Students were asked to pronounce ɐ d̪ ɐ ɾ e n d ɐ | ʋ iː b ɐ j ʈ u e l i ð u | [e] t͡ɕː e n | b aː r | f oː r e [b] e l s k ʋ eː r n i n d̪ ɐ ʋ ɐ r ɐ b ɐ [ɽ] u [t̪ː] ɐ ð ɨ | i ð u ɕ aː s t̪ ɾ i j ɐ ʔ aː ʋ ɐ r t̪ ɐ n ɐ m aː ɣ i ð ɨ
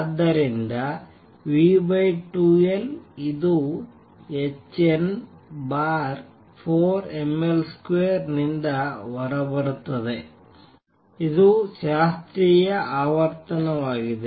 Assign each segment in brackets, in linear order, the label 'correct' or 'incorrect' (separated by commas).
correct, incorrect, correct, correct